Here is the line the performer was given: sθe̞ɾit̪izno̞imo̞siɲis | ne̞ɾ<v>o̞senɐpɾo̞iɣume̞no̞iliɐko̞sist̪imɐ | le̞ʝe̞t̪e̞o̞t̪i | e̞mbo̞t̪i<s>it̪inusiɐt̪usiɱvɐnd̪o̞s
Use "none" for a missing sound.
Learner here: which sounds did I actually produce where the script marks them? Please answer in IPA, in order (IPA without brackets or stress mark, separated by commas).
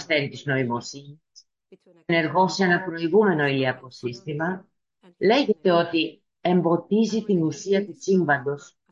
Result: ɣ, z